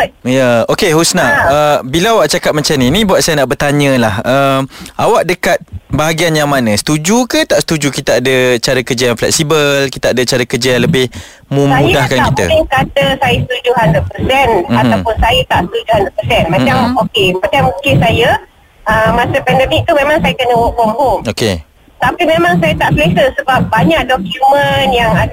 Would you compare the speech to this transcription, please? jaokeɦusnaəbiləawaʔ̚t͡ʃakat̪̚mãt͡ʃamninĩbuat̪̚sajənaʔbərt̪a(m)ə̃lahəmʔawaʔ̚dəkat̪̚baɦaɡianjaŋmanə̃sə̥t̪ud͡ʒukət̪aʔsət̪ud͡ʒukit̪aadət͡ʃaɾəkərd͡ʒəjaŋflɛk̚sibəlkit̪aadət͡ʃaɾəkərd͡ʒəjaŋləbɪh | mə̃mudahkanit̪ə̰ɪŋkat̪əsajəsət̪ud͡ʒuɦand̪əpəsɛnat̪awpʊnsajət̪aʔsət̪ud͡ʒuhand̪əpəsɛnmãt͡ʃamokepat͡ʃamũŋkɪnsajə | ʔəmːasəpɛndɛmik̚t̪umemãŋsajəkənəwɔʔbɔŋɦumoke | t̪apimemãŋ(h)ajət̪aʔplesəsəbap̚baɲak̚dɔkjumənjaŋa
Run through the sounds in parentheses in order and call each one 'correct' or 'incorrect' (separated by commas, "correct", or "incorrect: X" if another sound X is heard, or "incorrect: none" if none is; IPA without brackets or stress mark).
incorrect: ɲ, incorrect: s